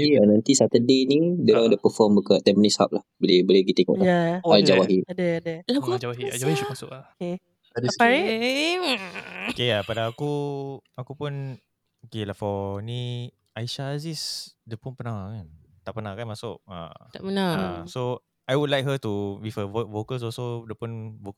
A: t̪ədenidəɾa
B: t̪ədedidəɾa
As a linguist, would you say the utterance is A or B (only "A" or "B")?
A